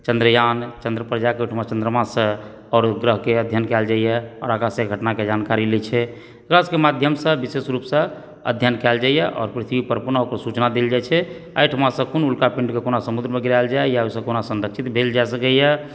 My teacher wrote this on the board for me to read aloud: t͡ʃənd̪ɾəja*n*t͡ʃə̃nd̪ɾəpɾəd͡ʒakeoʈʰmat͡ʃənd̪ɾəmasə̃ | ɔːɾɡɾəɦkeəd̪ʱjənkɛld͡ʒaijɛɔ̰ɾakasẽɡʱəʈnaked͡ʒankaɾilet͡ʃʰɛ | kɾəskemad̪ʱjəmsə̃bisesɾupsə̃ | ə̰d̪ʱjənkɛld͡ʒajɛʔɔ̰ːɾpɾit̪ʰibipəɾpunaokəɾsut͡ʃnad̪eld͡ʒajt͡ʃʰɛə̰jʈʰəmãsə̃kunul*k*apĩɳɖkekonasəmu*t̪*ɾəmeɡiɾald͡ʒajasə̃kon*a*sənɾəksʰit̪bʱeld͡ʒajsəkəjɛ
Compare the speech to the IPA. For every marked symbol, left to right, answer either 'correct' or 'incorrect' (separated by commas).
correct, correct, incorrect, correct